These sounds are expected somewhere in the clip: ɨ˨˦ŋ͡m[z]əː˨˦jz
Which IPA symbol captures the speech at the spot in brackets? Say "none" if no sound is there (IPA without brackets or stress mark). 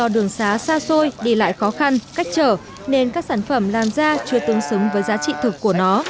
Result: v